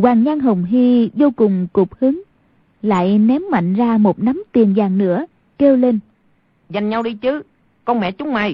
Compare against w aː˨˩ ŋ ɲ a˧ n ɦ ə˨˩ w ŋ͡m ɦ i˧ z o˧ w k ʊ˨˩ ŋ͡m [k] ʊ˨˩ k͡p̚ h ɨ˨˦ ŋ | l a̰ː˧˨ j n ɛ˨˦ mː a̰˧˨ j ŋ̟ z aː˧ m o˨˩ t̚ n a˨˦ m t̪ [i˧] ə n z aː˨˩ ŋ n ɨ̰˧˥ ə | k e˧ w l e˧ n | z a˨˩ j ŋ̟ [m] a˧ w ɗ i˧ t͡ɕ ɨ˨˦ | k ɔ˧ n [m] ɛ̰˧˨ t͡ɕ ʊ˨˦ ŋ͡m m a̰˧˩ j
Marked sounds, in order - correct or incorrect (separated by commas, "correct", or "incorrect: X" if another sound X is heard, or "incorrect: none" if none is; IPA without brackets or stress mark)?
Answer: correct, incorrect: i˨˩, incorrect: ɲ, correct